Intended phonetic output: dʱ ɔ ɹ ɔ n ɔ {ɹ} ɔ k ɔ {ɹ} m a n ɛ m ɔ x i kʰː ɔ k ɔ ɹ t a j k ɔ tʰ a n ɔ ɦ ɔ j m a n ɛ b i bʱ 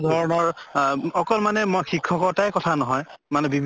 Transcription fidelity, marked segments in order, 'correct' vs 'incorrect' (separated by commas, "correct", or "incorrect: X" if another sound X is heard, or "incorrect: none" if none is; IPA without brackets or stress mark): correct, incorrect: l